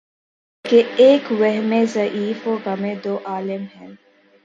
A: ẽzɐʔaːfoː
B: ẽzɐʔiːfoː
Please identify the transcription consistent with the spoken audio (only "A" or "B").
B